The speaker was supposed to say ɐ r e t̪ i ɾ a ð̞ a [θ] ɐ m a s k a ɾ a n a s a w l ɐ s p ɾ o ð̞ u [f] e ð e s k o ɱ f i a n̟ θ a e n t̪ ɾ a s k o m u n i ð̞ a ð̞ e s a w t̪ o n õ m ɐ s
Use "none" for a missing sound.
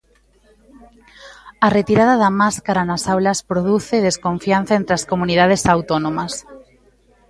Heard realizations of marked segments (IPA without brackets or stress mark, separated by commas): ð, θ